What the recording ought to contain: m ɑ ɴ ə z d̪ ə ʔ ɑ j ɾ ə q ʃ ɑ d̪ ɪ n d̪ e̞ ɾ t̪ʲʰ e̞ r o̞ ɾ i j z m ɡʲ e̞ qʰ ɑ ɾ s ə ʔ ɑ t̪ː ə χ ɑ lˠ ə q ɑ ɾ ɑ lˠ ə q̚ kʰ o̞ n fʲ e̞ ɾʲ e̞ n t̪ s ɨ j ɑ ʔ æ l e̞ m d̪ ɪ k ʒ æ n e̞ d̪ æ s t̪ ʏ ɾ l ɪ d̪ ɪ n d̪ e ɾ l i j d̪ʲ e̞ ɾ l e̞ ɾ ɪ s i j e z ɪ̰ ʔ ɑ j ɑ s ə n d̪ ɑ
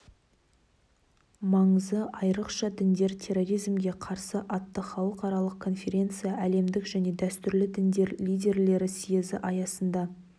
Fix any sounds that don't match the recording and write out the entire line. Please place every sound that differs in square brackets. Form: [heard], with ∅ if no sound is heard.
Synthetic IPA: m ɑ ɴ ə z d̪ ə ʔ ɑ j ɾ ə q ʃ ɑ d̪ ɪ n d̪ e̞ ɾ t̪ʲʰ e̞ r o̞ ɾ i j z m ɡʲ e̞ qʰ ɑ ɾ s ə ʔ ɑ t̪ː ə χ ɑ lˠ ə q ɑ ɾ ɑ lˠ ə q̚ kʰ o̞ n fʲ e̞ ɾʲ e̞ n t̪ s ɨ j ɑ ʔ æ l e̞ m d̪ ɪ k ʒ æ n e̞ d̪ æ s t̪ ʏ ɾ l ɪ d̪ ɪ n d̪ e ɾ l i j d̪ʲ e̞ ɾ l e̞ ɾ ɪ s i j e z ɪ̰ ʔ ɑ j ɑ s ə n d̪ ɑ